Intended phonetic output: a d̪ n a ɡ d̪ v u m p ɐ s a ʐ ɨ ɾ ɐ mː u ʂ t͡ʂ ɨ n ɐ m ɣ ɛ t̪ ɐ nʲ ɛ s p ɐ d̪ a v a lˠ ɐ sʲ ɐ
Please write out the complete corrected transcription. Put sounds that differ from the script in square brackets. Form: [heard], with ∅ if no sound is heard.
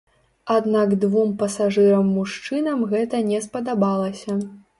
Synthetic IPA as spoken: a d̪ n a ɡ d̪ v u m p ɐ s a ʐ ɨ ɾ ɐ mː u ʂ t͡ʂ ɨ n ɐ m ɣ ɛ t̪ ɐ nʲ ɛ s p ɐ d̪ a [b] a lˠ ɐ sʲ ɐ